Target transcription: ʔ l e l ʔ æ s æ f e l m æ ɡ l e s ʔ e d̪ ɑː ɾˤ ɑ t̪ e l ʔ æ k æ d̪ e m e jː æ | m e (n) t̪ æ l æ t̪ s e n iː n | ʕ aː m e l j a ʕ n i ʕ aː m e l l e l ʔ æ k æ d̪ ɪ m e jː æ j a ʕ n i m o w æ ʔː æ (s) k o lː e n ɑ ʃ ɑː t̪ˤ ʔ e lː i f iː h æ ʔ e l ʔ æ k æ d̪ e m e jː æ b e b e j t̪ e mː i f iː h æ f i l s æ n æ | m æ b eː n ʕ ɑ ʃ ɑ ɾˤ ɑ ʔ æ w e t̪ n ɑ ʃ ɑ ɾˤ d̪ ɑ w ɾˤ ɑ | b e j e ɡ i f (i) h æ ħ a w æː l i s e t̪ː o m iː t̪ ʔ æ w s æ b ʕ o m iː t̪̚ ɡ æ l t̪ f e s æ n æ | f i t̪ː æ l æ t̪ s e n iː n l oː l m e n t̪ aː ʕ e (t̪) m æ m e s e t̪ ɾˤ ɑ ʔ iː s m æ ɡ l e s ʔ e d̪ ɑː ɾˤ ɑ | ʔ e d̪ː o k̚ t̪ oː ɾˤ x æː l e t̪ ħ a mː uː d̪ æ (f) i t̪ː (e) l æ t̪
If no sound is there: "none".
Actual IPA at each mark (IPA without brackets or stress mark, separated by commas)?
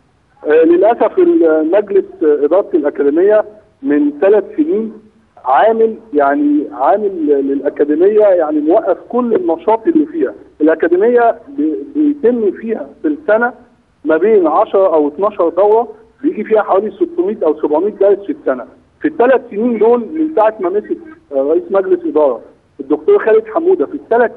n, f, iː, t̪, f, æ